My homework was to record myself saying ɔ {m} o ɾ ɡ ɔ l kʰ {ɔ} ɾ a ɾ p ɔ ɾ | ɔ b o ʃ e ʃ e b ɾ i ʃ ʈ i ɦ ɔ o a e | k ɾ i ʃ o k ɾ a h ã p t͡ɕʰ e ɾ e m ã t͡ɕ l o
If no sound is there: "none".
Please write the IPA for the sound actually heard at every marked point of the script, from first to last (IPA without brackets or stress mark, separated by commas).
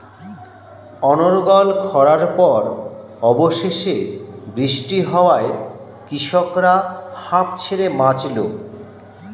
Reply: n, ɔ